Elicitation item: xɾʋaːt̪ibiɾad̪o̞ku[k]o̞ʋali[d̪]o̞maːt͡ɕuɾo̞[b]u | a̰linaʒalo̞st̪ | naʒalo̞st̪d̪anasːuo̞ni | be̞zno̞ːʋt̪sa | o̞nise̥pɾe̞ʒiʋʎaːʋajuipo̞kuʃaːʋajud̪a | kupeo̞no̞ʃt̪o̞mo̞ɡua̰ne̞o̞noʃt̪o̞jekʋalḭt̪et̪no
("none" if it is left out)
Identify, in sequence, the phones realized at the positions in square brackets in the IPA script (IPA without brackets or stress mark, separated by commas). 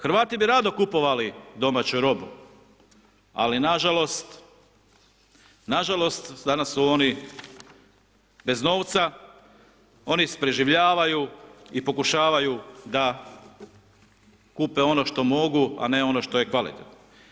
p, d̪, b